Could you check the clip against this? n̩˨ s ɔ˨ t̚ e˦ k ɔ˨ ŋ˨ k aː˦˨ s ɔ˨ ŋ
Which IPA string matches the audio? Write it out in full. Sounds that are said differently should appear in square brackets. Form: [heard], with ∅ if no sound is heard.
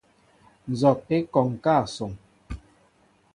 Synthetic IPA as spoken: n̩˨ [z] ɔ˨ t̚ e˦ k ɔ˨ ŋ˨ k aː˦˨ s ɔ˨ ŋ